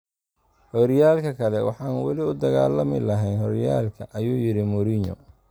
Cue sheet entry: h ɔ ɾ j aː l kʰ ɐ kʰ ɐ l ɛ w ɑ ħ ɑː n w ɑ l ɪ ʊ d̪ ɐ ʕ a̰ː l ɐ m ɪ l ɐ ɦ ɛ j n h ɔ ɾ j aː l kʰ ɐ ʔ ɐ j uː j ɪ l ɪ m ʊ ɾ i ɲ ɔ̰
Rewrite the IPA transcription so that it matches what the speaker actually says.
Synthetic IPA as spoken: h ɔ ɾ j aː l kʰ ɐ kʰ ɐ l ɛ w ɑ ħ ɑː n w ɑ l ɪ ʊ d̪ ɐ ɣ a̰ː l ɐ m ɪ l ɐ ɦ ɛ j n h ɔ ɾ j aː l kʰ ɐ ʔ ɐ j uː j ɪ ɾ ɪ m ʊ ɾ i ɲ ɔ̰